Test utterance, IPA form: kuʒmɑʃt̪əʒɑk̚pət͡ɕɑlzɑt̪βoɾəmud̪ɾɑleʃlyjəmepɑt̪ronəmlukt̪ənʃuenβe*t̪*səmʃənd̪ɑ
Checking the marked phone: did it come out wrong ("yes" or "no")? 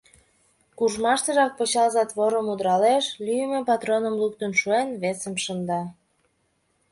yes